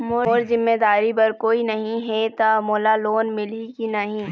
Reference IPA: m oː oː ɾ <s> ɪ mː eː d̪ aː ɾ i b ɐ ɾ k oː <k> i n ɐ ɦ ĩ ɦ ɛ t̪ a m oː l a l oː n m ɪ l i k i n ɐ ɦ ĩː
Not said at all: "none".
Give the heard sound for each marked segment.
z, none

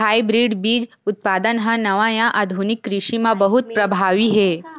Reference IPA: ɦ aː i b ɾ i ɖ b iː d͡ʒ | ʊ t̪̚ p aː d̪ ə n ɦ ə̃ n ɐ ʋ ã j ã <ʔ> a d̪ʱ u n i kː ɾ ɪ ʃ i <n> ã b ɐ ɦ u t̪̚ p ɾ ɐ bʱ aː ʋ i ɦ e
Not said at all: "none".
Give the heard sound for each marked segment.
ʔ, m

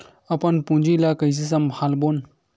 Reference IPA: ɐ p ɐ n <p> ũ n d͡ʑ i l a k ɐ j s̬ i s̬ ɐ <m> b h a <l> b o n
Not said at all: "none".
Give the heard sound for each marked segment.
p, m, l

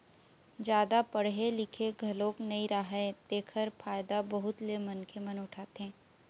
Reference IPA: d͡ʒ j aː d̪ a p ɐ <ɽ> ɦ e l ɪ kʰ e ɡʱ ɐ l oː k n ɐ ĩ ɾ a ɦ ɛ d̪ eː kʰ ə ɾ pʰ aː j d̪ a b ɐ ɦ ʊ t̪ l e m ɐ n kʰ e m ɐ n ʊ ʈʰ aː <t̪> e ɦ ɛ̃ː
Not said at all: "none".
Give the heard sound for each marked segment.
ɽ, t̪

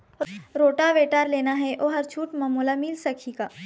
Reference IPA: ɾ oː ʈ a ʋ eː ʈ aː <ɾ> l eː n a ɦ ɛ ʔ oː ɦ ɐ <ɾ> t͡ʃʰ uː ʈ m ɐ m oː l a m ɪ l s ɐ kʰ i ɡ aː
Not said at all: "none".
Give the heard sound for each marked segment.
ɾ, ɾ

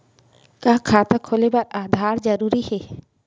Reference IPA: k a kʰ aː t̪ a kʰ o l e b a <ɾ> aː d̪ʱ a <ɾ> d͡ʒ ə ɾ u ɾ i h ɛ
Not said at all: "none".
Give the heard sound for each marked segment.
ɾ, ɾ

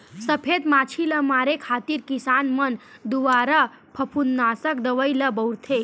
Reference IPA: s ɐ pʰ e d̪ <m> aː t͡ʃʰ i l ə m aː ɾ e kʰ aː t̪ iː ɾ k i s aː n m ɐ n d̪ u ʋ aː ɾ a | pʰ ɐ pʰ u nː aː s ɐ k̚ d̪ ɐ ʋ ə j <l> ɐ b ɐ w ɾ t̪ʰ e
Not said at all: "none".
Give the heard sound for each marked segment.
m, l

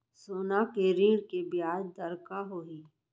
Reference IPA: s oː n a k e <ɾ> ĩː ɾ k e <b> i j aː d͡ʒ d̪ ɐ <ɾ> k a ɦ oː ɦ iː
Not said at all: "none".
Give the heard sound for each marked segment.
ɾ, b, ɾ

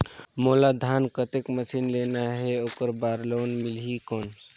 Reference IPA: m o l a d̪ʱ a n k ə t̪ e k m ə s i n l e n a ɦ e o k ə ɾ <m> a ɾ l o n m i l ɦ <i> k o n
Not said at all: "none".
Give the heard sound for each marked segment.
b, i

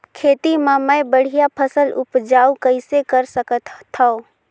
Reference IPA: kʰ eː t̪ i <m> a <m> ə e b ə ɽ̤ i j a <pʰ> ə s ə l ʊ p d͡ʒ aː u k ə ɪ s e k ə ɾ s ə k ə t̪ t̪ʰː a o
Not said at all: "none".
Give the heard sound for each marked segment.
m, m, pʰ

